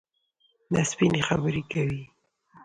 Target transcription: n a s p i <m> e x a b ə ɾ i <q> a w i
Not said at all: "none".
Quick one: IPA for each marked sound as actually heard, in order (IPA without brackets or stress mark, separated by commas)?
n, k